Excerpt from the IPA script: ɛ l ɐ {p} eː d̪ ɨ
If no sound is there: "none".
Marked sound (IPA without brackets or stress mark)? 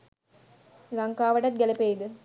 p